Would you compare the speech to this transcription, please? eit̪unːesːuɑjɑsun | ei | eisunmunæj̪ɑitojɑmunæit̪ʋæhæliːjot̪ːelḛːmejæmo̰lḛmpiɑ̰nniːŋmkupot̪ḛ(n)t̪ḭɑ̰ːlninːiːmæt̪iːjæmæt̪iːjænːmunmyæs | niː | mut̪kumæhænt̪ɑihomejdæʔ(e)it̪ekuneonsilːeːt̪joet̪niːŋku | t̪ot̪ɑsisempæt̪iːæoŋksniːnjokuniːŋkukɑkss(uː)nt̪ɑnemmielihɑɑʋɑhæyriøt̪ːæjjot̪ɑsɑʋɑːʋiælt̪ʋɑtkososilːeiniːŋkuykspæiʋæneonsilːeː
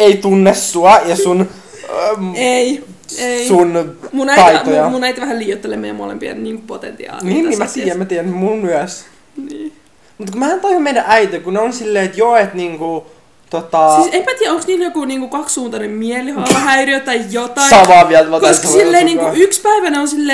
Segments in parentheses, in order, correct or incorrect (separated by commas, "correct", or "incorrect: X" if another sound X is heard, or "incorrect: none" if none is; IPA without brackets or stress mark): correct, incorrect: æ, correct